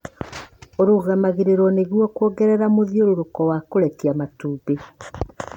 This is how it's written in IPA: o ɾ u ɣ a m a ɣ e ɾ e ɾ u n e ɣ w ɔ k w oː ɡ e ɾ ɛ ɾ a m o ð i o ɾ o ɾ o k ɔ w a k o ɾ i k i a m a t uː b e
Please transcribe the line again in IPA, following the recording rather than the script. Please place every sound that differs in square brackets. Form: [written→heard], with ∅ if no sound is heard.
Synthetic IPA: o ɾ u ɣ a m a ɣ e ɾ e ɾ [u→ɔ] n e ɣ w ɔ k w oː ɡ [e→ɛ] ɾ ɛ ɾ a m o ð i o ɾ o ɾ o k ɔ w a k o ɾ [i→ɛ] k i a m a t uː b e

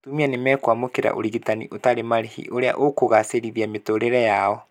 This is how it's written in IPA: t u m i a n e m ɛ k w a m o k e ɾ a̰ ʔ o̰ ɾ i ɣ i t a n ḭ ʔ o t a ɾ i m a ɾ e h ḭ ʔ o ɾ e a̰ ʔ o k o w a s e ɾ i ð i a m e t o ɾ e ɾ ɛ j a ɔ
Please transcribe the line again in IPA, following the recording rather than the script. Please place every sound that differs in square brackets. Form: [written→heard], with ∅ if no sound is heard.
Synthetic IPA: t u m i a n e m ɛ k w a m o k e ɾ a̰ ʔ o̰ ɾ i ɣ i t a n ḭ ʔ o t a ɾ [i→e] m a ɾ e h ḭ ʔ o ɾ e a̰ ʔ o k o [w→ɣ] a s e ɾ i ð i a m e t o ɾ e ɾ ɛ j a ɔ

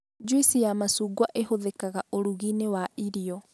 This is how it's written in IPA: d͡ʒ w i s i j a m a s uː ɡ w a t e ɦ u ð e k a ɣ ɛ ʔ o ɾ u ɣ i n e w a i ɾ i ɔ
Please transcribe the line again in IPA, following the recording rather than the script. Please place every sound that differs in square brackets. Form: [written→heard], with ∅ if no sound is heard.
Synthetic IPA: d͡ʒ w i s i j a m a s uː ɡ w a [t→ʔ] e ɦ [u→o] ð e k a ɣ [ɛ→a] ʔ o ɾ u ɣ i n e w a i ɾ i ɔ

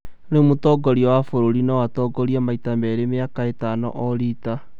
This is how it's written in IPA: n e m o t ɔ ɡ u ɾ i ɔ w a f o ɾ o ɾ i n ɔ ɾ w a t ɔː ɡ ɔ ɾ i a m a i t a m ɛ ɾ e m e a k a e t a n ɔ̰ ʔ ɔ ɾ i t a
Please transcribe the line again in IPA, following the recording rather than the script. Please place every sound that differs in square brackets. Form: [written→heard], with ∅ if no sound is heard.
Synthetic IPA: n e m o t ɔ ɡ [u→ɔ] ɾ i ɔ w a f o ɾ o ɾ i n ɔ [ɾ→∅] w a t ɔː ɡ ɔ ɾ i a m a i t a m ɛ ɾ e m e a k a e t a n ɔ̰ ʔ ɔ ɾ i t a

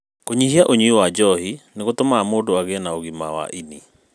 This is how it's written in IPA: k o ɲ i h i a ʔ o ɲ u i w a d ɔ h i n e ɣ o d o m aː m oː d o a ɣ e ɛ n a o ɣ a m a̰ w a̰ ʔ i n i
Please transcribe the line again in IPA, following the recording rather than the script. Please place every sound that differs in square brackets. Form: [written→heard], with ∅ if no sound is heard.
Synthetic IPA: k o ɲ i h i a ʔ o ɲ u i w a [d→d͡ʒ] ɔ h i n e ɣ o [d→t] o m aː m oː d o a ɣ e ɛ n a o ɣ [a→i] m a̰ w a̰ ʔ i n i

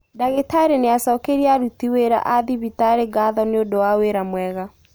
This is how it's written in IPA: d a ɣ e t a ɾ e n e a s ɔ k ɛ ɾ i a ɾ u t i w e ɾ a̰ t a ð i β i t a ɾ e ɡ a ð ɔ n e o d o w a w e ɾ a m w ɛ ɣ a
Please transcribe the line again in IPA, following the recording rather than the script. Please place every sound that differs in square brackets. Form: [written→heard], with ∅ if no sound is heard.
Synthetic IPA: d a ɣ e t a ɾ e n e a s ɔ k [ɛ→e] ɾ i a ɾ u t i w e ɾ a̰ [t→ʔ] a ð i β i t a ɾ e ɡ a ð ɔ n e o d o w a w e ɾ a m w ɛ ɣ a

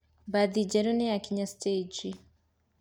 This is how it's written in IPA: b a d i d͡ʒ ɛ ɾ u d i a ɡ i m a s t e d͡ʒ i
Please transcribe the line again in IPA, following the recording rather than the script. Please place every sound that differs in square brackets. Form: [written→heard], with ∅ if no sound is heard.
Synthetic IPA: b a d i d͡ʒ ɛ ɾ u [d→n] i a [ɡ→k] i [m→ɲ] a s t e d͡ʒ i

